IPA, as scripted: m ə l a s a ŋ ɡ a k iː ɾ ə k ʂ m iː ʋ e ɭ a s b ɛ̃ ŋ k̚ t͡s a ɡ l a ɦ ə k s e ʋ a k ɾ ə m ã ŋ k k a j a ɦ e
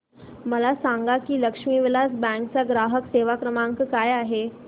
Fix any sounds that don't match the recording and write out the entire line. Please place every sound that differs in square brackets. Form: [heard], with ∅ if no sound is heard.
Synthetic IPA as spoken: m ə l a s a ŋ ɡ a k iː [l] ə k ʂ m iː ʋ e [l] a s b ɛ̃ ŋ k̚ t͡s a ɡ [ɾ] a ɦ ə k s e ʋ a k ɾ ə m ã ŋ k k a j a ɦ e